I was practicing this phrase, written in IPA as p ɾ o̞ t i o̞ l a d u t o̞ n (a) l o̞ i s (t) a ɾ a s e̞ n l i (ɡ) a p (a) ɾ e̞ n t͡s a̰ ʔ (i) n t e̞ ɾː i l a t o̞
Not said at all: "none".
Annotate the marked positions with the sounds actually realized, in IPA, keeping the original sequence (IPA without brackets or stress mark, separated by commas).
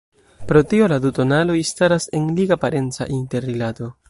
a, t, ɡ, a, i